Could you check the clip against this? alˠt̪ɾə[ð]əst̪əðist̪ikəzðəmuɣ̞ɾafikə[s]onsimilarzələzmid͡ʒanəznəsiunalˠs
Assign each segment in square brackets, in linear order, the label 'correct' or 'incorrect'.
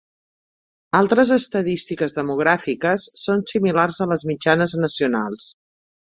incorrect: z, incorrect: sː

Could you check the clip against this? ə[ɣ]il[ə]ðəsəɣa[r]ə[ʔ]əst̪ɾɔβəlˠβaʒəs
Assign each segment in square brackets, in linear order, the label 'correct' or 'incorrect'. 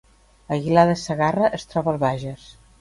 correct, incorrect: a, correct, correct

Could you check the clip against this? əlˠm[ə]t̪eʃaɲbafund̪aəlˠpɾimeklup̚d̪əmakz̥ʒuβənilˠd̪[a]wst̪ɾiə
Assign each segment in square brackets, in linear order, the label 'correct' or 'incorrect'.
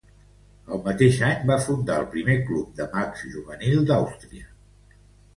correct, correct

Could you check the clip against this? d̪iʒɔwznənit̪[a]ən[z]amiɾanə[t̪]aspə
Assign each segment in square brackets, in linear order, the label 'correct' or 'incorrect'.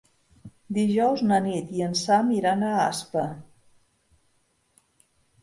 incorrect: i, incorrect: s, incorrect: none

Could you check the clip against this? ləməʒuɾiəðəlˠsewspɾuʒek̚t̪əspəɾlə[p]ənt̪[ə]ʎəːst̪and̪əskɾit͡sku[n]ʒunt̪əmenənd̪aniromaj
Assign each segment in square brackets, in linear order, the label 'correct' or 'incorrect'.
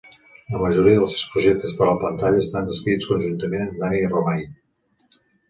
correct, incorrect: a, correct

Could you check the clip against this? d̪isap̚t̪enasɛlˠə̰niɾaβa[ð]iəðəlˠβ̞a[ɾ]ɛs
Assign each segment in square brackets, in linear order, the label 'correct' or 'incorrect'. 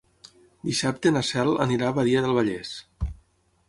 correct, incorrect: ʎ

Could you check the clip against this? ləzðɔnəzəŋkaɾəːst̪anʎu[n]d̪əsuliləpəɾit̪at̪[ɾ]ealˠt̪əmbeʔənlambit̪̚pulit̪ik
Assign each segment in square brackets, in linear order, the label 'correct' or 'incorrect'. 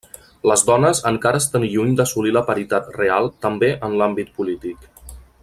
incorrect: ɲ, incorrect: r

